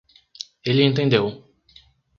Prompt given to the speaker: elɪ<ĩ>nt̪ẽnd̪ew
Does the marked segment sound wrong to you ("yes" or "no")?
yes